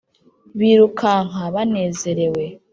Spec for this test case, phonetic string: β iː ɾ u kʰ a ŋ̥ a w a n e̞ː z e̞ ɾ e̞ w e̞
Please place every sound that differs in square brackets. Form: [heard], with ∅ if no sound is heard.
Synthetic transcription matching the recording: β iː ɾ u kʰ a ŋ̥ a [β] a n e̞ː z e̞ ɾ e̞ w e̞